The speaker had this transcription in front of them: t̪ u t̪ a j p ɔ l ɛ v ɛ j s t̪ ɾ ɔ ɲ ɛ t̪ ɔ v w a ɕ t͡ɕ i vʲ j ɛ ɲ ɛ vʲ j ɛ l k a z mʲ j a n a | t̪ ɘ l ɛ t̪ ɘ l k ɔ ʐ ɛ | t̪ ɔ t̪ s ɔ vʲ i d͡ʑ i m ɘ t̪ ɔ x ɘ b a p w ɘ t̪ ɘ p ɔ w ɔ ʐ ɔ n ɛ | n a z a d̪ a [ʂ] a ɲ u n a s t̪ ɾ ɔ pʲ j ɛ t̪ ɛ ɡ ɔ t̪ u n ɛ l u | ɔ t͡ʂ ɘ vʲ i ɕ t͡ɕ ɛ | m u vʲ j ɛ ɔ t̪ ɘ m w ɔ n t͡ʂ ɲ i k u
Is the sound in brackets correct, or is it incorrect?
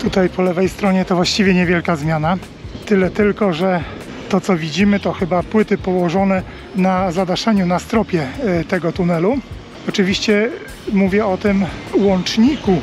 correct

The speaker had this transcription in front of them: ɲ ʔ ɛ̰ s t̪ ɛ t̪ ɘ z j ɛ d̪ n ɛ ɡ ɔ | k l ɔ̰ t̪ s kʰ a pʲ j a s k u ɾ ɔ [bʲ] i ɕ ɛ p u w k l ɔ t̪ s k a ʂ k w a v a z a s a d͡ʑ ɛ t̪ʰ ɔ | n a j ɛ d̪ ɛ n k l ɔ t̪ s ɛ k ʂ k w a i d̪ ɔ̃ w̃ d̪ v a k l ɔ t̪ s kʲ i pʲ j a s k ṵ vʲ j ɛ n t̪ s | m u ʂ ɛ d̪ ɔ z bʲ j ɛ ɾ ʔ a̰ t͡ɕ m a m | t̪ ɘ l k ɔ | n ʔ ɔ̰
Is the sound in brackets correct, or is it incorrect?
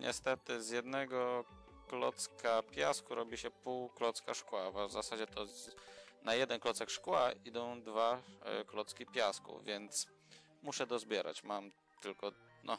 correct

